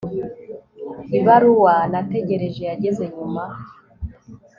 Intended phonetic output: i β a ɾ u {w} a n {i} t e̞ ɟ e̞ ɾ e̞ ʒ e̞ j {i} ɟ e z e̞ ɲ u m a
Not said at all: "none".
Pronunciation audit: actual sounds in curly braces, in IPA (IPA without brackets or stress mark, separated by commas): w, a, a